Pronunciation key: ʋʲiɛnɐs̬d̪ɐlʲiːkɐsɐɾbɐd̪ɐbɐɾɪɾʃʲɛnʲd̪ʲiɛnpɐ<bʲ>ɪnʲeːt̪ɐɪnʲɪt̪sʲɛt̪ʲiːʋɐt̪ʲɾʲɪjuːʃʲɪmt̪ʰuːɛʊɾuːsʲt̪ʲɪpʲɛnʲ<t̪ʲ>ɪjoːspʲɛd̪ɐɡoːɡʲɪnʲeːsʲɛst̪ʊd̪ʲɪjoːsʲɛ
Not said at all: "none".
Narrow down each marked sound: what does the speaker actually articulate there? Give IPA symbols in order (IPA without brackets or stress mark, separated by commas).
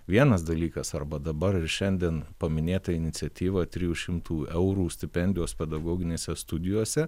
mʲ, d̪ʲ